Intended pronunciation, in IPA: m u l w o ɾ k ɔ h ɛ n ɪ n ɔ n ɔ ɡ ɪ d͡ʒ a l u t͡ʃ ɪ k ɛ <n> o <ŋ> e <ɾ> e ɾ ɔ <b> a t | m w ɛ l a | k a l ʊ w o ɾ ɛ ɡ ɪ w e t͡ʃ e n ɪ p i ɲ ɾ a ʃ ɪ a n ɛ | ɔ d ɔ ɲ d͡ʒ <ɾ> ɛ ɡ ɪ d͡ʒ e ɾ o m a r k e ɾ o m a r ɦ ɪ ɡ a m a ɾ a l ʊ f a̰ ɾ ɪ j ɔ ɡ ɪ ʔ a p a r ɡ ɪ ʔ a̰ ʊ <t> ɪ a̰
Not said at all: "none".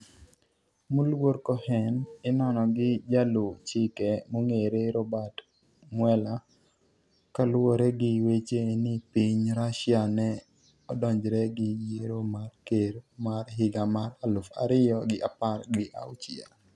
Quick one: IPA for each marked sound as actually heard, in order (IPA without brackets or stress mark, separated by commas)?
m, ŋ, ɾ, b, ɾ, t͡ʃ